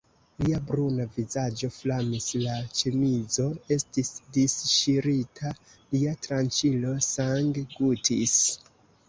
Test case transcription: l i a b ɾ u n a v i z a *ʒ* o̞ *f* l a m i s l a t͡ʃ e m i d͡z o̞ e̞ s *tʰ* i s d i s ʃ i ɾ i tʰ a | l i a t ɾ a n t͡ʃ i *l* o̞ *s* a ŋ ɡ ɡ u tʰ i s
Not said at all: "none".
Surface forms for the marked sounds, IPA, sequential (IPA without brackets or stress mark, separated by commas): d͡ʒ, f, t, l, s